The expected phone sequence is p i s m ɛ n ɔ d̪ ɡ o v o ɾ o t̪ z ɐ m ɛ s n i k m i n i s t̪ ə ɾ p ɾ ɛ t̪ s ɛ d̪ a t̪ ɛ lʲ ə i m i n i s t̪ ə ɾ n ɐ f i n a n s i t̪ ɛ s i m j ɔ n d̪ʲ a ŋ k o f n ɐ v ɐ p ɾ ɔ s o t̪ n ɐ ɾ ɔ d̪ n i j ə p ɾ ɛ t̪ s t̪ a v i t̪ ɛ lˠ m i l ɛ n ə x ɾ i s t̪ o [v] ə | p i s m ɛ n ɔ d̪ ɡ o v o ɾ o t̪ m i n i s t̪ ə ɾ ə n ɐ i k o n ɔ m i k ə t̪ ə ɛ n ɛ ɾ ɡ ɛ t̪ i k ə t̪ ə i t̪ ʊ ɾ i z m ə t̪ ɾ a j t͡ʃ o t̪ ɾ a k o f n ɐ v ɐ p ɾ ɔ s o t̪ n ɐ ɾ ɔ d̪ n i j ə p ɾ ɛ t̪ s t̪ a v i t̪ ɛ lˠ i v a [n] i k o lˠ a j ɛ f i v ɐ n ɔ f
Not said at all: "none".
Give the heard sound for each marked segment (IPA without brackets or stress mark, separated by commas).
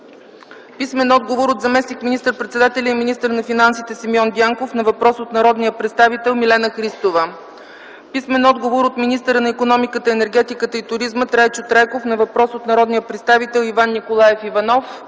v, nː